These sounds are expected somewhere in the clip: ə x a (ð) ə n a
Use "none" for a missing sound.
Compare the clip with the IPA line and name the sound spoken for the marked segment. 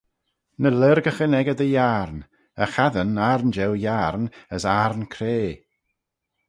ð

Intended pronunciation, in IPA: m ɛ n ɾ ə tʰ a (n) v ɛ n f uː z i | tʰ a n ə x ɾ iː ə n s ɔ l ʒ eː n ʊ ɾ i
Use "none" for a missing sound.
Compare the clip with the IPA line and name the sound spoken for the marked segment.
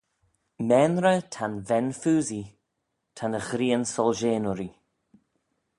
n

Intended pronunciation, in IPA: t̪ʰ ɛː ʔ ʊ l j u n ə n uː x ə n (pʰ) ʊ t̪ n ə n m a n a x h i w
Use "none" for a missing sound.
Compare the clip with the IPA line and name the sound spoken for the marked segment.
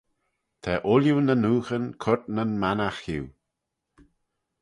kʰ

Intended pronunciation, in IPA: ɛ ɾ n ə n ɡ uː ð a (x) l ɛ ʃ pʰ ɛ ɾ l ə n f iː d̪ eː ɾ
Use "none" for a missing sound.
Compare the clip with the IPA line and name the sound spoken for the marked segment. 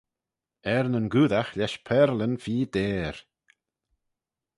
x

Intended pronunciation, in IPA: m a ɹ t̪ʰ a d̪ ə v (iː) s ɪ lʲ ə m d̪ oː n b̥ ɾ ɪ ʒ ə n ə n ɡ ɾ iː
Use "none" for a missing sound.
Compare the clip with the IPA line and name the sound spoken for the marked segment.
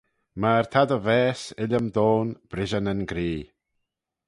ɛː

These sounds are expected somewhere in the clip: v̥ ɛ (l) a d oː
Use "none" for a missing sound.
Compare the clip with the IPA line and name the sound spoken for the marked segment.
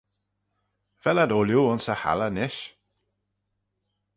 l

